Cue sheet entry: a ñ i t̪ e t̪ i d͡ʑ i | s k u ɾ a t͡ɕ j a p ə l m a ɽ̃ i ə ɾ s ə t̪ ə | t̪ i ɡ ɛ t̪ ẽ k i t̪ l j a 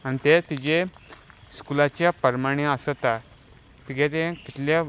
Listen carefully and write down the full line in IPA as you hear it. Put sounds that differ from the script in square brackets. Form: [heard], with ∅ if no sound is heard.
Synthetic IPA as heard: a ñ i t̪ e t̪ i d͡ʑ [e] | s k u [l] a t͡ɕ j a p ə [ɾ] m a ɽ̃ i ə [∅] s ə t̪ [a] | t̪ i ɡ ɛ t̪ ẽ k i t̪ l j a